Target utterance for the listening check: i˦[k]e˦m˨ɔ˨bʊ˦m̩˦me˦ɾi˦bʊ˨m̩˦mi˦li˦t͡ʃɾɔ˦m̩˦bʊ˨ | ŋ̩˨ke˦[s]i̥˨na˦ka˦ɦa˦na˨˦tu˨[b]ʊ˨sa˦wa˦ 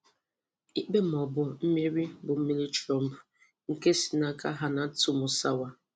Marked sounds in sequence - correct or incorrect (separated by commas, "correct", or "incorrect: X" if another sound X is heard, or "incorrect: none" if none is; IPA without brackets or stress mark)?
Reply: incorrect: k͡p, correct, incorrect: m